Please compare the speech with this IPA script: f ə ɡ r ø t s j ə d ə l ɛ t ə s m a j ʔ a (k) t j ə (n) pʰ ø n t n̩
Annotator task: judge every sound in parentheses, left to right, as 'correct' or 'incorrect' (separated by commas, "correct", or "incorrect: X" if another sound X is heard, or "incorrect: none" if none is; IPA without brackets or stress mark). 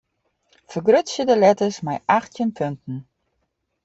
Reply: incorrect: x, correct